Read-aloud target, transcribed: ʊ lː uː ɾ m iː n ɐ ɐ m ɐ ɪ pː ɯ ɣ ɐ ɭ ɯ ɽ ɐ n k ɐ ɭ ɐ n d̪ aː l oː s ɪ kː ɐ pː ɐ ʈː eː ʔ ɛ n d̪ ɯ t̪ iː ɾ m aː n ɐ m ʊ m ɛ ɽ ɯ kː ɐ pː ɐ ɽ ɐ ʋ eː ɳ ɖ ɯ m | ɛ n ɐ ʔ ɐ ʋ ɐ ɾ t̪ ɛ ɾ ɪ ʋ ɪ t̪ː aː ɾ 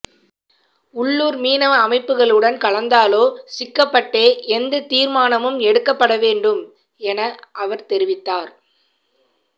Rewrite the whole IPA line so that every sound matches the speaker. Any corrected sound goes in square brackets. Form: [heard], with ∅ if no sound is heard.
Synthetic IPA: ʊ [ɭː] uː ɾ m iː n ɐ ɐ m ɐ ɪ pː ɯ ɣ ɐ ɭ ɯ ɽ ɐ n k ɐ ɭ ɐ n d̪ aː l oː s ɪ kː ɐ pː ɐ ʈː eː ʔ ɛ n d̪ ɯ t̪ iː ɾ m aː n ɐ m [ɯ] m ɛ ɽ ɯ kː ɐ pː ɐ ɽ ɐ ʋ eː ɳ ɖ ɯ m | ɛ n ɐ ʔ ɐ ʋ ɐ ɾ t̪ ɛ ɾ ɪ ʋ ɪ t̪ː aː ɾ